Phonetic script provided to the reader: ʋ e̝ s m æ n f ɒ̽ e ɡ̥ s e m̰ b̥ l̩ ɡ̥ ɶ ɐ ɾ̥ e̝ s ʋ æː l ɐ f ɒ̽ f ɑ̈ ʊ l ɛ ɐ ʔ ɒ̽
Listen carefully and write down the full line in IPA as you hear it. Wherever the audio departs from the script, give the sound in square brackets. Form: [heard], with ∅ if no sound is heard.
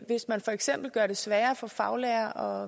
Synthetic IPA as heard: ʋ e̝ s m æ n f ɒ̽ e ɡ̥ s e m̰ b̥ l̩ ɡ̥ ɶ ɐ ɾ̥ e̝ s ʋ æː [∅] ɐ f ɒ̽ f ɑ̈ ʊ l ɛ ɐ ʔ ɒ̽

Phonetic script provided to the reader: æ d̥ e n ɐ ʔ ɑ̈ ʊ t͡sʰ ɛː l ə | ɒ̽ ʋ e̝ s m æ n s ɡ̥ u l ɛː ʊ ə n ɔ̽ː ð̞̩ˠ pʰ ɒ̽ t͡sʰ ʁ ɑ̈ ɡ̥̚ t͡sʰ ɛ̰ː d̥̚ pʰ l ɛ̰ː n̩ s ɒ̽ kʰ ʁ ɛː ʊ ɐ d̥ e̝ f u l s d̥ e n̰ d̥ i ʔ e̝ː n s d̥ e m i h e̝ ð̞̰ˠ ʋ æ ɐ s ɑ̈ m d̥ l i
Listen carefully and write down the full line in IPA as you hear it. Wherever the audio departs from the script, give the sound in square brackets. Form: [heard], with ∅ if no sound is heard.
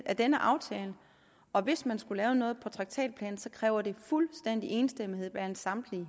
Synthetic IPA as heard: æ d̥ e n [ə] ʔ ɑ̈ ʊ t͡sʰ ɛː l ə | ɒ̽ ʋ e̝ s m æ n s ɡ̥ u l ɛː ʊ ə n ɔ̽ː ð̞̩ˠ pʰ ɒ̽ t͡sʰ ʁ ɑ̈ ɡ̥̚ t͡sʰ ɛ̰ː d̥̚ pʰ l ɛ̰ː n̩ s ɒ̽ kʰ ʁ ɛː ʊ ɐ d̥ e̝ f u l s d̥ e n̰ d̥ i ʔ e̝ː n s d̥ e m i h e̝ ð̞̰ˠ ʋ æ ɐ s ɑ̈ m d̥ l i

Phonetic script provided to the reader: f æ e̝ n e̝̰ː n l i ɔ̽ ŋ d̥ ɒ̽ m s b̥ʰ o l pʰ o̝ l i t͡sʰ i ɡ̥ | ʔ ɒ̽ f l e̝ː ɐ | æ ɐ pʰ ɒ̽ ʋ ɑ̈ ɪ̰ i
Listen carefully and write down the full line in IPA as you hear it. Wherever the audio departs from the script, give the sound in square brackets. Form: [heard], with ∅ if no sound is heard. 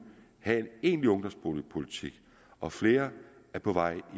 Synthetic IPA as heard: [h] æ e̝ n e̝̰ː n l i ɔ̽ ŋ d̥ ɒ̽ m s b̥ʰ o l pʰ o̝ l i t͡sʰ i ɡ̥ | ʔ ɒ̽ f l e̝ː ɐ | æ ɐ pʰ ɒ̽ ʋ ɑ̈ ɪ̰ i

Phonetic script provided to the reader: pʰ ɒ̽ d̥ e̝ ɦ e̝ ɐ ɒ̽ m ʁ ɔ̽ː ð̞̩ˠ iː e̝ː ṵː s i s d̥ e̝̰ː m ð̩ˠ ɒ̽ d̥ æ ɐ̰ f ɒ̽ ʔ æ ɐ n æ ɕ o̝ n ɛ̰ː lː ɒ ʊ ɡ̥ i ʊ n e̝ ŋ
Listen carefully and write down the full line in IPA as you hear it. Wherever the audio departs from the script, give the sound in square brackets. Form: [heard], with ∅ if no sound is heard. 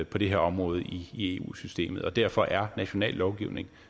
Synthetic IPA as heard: pʰ ɒ̽ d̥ e̝ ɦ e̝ ɐ ɒ̽ m ʁ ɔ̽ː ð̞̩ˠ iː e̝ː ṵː s [y] s d̥ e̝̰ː m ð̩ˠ ɒ̽ d̥ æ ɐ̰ f ɒ̽ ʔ æ ɐ n æ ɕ o̝ n ɛ̰ː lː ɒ ʊ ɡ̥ i ʊ n e̝ ŋ

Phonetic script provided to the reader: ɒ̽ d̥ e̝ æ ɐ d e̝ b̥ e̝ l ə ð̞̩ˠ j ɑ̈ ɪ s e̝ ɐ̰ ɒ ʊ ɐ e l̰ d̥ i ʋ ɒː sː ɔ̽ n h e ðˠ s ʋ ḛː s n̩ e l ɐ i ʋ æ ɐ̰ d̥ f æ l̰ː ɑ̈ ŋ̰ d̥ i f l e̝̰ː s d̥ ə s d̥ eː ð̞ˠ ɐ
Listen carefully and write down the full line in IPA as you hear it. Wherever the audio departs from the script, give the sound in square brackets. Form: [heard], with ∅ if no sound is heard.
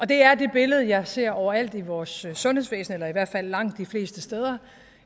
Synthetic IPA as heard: ɒ̽ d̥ e̝ æ ɐ d e̝ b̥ e̝ l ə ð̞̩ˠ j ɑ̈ ɪ s e̝ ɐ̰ ɒ ʊ ɐ [æ] l̰ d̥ i ʋ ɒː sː ɔ̽ n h e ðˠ s ʋ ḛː s n̩ e l ɐ i ʋ æ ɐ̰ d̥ f æ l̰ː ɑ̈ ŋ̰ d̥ i f l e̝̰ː s d̥ ə s d̥ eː ð̞ˠ ɐ

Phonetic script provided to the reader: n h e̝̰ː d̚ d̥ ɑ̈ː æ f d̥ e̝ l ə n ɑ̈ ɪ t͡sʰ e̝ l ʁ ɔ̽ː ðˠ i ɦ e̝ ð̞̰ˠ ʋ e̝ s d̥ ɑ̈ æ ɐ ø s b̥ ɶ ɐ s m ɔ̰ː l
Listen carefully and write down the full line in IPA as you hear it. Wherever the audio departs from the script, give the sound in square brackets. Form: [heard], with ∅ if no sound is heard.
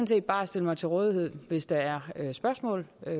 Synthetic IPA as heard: n [s] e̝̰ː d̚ [b̥] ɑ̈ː æ [s] d̥ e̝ l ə [m] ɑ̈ ɪ t͡sʰ e̝ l ʁ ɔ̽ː ðˠ i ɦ e̝ ð̞̰ˠ ʋ e̝ s d̥ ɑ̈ æ ɐ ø s b̥ ɶ ɐ s m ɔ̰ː l

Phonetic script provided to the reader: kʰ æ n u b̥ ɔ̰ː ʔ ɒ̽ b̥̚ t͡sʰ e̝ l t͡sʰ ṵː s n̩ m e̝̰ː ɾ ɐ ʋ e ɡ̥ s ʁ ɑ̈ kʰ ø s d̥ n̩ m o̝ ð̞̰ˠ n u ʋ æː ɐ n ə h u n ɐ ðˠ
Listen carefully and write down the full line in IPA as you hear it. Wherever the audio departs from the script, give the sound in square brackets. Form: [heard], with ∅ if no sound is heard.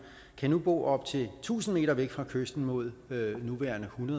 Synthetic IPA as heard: kʰ æ n u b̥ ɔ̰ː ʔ ɒ̽ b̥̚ t͡sʰ e̝ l t͡sʰ ṵː s n̩ m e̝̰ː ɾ ɐ ʋ e ɡ̥ [f] ʁ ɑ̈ kʰ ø s d̥ n̩ m o̝ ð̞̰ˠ n u ʋ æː ɐ n ə h u n ɐ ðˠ

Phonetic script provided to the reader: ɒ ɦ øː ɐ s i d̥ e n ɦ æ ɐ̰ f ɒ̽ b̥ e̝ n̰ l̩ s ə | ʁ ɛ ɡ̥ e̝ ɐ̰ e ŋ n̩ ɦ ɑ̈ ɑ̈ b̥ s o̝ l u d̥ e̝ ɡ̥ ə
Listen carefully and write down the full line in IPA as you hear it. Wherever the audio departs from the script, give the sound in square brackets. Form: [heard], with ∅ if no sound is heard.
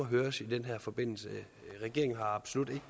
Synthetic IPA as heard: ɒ ɦ øː ɐ s i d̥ e n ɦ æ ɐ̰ f ɒ̽ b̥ e̝ n̰ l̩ s ə | ʁ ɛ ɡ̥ e̝ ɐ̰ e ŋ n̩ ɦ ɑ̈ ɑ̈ b̥ s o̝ l u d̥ e̝ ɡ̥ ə

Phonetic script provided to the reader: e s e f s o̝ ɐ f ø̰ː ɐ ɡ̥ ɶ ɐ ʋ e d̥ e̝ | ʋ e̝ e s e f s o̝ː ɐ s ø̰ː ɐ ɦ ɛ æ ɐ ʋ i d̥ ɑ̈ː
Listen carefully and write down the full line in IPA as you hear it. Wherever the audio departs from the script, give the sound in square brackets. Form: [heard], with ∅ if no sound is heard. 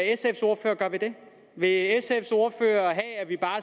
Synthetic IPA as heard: e s e f s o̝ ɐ f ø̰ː ɐ ɡ̥ ɶ ɐ ʋ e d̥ e̝ | ʋ e̝ e s e f s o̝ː ɐ [f] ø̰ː ɐ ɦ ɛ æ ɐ ʋ i [b̥] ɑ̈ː

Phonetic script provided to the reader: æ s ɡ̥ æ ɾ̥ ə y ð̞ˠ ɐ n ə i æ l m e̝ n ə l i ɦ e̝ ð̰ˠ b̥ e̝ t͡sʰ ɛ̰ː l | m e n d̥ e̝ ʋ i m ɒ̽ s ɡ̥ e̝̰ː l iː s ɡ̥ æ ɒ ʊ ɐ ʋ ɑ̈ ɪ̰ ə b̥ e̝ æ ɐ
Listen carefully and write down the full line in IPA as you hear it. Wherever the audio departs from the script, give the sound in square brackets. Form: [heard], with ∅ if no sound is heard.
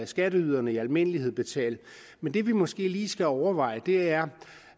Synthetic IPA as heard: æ s ɡ̥ æ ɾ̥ ə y ð̞ˠ ɐ n ə i æ l m e̝ n ə l i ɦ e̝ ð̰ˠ b̥ e̝ t͡sʰ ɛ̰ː l | m e n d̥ e̝ ʋ i m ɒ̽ s ɡ̥ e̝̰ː l iː s ɡ̥ æ ɒ ʊ ɐ ʋ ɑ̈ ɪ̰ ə [d̥] e̝ æ ɐ

